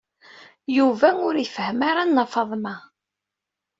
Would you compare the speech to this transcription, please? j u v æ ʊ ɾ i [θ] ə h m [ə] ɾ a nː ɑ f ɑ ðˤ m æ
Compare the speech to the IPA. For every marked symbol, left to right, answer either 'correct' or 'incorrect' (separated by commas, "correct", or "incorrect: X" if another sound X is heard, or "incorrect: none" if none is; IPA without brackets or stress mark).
incorrect: f, incorrect: a